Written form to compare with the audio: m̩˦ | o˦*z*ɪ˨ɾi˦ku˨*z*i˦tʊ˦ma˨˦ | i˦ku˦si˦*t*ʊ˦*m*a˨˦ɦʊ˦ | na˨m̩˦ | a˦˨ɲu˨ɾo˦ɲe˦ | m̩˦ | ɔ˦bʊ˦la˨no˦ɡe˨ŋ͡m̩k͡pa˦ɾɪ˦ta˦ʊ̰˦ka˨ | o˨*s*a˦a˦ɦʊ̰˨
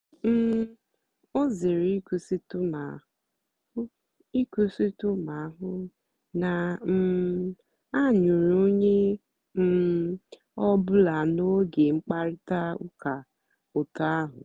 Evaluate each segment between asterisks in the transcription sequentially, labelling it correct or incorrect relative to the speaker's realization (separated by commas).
correct, incorrect, correct, correct, incorrect